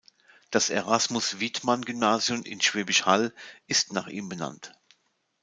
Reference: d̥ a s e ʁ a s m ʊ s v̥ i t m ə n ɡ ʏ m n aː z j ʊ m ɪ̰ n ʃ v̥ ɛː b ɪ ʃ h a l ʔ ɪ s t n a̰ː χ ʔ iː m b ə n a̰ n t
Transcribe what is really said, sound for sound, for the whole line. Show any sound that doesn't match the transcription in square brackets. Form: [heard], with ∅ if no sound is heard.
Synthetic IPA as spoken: d̥ a s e ʁ a s m ʊ s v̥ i t m [a] n ɡ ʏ m n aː z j ʊ m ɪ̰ n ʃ v̥ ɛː b ɪ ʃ h a l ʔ ɪ s t n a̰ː χ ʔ iː m b ə n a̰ n t